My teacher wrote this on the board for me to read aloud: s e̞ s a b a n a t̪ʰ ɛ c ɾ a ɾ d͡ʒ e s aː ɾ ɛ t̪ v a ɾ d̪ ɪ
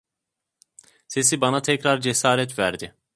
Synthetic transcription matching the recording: s e̞ s i b a n a t̪ʰ ɛ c ɾ a ɾ d͡ʒ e s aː ɾ ɛ t̪ v æ ɾ d̪ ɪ